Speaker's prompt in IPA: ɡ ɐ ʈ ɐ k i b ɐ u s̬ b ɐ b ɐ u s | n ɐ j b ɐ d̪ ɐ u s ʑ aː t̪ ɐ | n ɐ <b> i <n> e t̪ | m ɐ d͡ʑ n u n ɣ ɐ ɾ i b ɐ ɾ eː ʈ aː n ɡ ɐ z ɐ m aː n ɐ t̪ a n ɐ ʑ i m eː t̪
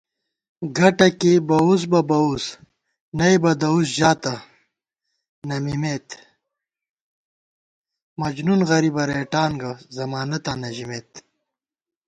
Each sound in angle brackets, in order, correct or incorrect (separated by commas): incorrect, incorrect